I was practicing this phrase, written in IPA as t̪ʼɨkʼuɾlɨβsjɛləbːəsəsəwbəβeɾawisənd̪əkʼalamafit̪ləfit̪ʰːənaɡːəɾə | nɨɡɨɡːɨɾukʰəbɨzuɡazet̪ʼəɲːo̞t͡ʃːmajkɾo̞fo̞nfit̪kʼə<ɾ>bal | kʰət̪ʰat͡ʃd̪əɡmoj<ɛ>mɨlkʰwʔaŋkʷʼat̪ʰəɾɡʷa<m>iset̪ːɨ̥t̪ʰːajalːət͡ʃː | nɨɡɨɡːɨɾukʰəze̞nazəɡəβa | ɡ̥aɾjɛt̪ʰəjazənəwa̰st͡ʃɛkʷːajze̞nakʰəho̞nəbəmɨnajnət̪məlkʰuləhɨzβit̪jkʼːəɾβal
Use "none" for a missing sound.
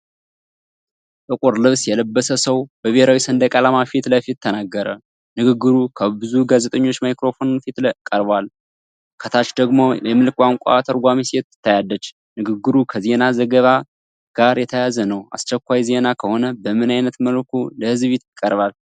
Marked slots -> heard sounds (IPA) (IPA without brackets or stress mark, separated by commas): ɾ, ɛ, m